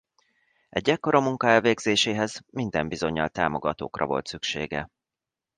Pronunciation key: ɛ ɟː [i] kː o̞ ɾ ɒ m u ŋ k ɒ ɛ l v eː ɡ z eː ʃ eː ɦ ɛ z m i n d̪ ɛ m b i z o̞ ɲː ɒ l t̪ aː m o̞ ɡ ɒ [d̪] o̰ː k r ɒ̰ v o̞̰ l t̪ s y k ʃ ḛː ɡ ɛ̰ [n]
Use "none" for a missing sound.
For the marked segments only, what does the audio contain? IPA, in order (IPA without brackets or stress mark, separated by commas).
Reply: ɛ, t̪, none